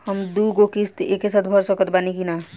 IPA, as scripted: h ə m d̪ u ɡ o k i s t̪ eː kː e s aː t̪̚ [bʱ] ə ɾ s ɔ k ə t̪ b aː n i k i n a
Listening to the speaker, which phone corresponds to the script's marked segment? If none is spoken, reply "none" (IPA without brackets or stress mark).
bʱ